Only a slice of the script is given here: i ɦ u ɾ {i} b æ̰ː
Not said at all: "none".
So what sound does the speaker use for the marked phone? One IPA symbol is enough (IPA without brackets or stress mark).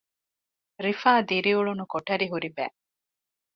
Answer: i